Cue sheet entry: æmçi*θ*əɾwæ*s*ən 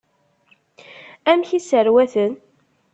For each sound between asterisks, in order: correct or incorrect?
incorrect: s, incorrect: θ

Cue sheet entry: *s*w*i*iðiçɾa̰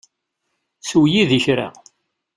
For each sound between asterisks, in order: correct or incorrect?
correct, incorrect: j

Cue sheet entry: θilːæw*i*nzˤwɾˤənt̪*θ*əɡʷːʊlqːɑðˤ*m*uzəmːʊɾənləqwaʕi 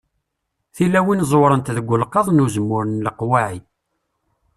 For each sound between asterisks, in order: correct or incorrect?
correct, incorrect: ð, incorrect: n

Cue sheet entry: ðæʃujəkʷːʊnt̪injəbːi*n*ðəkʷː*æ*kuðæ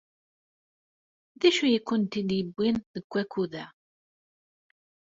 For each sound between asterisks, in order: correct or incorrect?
correct, correct

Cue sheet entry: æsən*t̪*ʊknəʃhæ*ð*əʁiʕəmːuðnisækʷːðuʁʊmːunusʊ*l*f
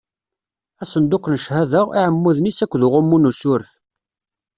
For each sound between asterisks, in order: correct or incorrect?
incorrect: d̪, correct, incorrect: ɾ

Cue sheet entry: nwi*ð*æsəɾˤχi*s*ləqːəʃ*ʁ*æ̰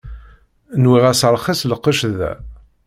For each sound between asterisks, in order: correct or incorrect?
incorrect: ʁ, correct, incorrect: ð

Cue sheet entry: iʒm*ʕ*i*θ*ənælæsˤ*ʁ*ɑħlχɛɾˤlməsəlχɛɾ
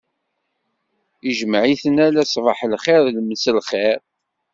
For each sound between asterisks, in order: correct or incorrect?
correct, correct, incorrect: v

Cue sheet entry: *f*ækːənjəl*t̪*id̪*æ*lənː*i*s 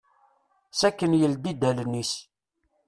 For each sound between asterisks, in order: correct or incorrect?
incorrect: s, incorrect: d̪, correct, correct

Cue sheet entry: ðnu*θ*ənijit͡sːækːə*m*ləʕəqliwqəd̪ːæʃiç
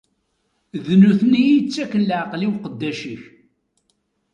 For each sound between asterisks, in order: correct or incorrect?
correct, incorrect: n

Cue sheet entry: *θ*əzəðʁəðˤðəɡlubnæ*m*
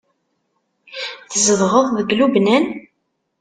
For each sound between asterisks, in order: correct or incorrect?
correct, incorrect: n

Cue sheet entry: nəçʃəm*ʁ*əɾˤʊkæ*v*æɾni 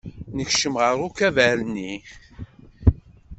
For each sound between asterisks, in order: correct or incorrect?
correct, correct

